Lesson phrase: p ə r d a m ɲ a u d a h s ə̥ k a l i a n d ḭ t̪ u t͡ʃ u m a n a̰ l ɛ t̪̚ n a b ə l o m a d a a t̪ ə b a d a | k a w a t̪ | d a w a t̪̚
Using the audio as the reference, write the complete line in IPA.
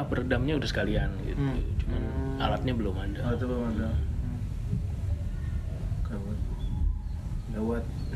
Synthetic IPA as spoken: p ə r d a m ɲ a u d a h s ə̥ k a l i a n ɡ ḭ t̪ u t͡ʃ u m a n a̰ l a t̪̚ ɲ a b ə l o m a d a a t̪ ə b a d a | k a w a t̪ | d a w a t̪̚